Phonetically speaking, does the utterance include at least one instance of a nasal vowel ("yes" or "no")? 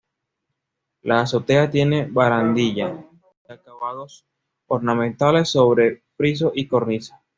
yes